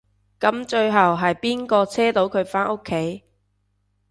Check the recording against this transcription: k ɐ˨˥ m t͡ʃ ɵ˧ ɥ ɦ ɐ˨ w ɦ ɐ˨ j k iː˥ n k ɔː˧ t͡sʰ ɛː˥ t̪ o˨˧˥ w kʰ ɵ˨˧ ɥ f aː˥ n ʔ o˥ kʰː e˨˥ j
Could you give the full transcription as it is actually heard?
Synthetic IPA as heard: k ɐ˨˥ m t͡ʃ ɵ˧ ɥ ɦ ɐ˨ w ɦ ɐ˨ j p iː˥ n k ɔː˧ t͡sʰ ɛː˥ t̪ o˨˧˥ w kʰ ɵ˨˧ ɥ f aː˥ n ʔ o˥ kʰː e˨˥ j